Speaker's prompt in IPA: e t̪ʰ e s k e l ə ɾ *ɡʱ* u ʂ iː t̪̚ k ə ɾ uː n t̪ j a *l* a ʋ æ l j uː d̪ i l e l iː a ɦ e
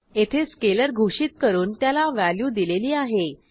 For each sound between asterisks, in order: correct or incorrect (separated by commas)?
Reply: correct, correct